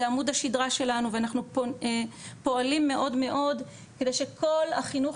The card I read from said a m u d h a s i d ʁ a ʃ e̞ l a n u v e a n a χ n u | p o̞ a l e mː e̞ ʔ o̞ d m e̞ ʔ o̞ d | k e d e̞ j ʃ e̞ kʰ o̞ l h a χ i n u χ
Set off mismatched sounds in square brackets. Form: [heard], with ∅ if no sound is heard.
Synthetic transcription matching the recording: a m u d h a [ʃ] i d ʁ a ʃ e̞ l a n u v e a n a χ n u | p o̞ a l [i] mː e̞ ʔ o̞ d m e̞ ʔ o̞ d | k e d e̞ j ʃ e̞ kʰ o̞ l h a χ i n u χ